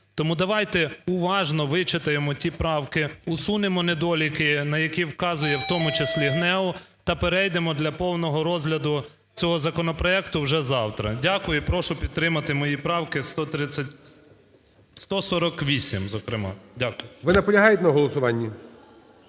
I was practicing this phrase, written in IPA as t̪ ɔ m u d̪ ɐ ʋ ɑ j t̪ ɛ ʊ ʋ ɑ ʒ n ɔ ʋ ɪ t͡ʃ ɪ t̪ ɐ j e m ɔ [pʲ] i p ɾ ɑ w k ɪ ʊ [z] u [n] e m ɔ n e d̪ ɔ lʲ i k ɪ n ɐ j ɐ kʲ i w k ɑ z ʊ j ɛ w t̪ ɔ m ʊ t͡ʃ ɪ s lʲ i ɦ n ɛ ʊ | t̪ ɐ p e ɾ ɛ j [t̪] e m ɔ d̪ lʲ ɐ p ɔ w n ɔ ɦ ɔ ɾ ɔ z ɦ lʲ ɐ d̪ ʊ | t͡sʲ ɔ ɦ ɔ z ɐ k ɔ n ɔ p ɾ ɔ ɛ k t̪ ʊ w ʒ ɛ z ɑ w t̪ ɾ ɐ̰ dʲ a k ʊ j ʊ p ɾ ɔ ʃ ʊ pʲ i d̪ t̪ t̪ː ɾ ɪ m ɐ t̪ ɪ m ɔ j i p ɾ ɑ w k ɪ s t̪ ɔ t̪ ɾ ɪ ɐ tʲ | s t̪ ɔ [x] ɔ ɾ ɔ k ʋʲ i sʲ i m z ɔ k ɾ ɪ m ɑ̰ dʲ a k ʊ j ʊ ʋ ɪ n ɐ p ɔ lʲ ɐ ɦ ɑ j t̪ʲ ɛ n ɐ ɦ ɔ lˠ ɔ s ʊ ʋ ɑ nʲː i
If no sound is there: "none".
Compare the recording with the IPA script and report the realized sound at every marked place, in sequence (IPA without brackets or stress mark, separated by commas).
tʲ, s, n, d̪, s